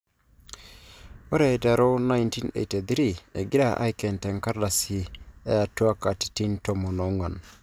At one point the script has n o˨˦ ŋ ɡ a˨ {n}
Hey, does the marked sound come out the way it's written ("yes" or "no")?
yes